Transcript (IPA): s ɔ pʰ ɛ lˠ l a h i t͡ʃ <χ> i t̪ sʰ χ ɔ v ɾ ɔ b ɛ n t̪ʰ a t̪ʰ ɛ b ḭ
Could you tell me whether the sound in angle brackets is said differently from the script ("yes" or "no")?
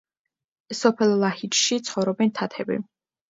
yes